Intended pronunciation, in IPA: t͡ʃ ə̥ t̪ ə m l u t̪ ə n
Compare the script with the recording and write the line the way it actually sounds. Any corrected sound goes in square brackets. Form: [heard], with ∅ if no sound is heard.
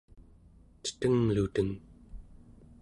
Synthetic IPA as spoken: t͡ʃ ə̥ t̪ ə [ŋ] l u t̪ ə [ŋ]

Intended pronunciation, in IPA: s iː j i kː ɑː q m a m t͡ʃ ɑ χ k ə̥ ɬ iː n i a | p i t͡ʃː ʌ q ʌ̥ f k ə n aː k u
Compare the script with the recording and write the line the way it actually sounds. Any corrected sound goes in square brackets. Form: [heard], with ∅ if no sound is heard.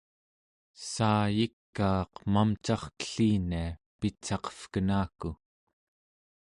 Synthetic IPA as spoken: s [aː] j i kː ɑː q m a m t͡ʃ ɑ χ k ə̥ ɬ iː n i a | p i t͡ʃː [ɑ] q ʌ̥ f k ə n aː k u

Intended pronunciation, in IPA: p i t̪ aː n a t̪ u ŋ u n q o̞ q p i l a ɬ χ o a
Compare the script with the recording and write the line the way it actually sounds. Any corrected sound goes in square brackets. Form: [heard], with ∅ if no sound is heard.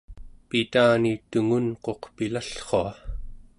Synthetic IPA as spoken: p i t̪ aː n [i] t̪ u ŋ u n q o̞ q p i l a ɬ χ o a

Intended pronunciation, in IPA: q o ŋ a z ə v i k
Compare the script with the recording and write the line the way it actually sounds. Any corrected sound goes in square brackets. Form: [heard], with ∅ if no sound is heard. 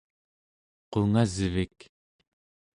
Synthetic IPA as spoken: q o ŋ a z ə v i k

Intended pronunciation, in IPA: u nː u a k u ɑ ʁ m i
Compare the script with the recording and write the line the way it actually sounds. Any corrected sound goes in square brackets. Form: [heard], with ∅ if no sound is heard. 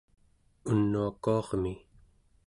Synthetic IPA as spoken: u nː u a k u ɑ ʁ m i

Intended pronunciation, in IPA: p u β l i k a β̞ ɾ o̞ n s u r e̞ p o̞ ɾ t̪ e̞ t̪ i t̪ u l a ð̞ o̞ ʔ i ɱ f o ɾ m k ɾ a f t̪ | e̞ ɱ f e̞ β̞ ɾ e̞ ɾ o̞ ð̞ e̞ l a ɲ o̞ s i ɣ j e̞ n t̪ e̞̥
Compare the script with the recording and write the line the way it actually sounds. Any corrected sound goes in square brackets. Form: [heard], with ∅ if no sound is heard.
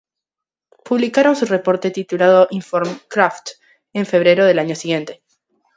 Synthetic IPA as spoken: p u β l i k a [∅] ɾ o̞ n s u r e̞ p o̞ ɾ t̪ e̞ t̪ i t̪ u l a ð̞ o̞ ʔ i ɱ f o ɾ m k ɾ a f t̪ | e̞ ɱ f e̞ β̞ ɾ e̞ ɾ o̞ ð̞ e̞ l a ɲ o̞ s i ɣ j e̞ n t̪ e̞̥

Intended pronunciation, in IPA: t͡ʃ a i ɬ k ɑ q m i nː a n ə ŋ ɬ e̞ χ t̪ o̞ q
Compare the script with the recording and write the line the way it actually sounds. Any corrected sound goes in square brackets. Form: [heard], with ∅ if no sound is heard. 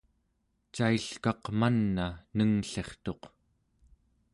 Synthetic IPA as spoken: t͡ʃ a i ɬ k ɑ q m [a] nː a n ə ŋ ɬ e̞ χ t̪ o̞ q

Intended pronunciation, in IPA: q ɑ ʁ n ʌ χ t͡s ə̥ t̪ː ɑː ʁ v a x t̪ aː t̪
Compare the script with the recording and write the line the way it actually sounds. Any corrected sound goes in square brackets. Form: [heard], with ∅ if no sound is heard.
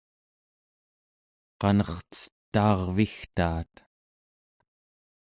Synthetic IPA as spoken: q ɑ [∅] n ʌ χ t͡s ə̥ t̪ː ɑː ʁ v [i] x t̪ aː t̪

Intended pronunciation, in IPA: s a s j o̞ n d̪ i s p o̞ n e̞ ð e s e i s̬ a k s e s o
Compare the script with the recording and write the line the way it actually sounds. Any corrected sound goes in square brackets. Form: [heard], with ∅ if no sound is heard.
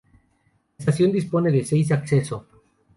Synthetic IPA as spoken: s a s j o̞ n d̪ i s p o̞ n e̞ ð e s e [j] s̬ a k s e s o

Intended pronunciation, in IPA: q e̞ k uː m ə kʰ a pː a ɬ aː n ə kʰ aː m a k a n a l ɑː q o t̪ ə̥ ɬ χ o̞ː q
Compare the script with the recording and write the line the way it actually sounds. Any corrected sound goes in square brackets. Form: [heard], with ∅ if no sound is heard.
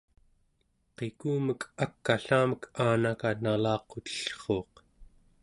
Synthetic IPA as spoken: q e̞ k uː m ə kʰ a [kː] a ɬ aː [m] ə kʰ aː [n] a k a n a l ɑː q o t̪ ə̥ ɬ χ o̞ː q

